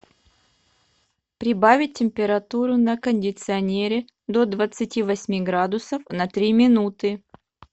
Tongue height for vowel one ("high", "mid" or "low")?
high